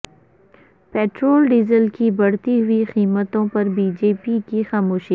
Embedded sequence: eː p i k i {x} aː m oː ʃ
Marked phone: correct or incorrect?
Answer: correct